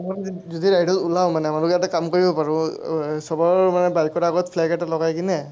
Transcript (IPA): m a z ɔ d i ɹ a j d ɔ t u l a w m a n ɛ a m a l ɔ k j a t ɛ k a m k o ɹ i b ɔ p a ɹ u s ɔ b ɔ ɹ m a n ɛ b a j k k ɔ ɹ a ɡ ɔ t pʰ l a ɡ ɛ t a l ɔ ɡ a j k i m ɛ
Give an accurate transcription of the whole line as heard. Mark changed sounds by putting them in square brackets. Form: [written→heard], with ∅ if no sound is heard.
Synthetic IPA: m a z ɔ d i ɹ a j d ɔ t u l a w m a n ɛ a m a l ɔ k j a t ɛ k a m k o ɹ i b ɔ p a ɹ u s ɔ b ɔ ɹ m a n ɛ b a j k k ɔ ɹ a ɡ ɔ t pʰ l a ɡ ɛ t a l ɔ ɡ a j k i [m→n] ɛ